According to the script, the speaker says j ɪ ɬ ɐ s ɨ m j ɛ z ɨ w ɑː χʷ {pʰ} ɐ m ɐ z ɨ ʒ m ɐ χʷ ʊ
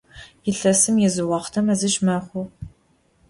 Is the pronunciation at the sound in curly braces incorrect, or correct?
incorrect